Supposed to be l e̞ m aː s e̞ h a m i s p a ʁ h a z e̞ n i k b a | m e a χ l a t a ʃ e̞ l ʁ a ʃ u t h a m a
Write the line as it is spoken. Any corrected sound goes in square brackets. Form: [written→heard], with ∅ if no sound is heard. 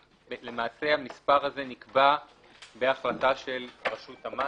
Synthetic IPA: l e̞ m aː s e̞ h a m i s p a ʁ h a z e̞ n i k b a | [m→b] e a χ l a t a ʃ e̞ l ʁ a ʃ u t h a m a